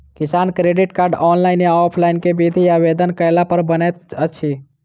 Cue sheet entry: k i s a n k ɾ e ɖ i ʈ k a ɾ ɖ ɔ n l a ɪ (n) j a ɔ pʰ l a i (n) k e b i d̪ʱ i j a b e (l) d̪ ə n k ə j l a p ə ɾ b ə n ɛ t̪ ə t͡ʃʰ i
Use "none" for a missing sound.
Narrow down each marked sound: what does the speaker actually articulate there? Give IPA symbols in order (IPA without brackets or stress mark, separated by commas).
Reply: n, n, none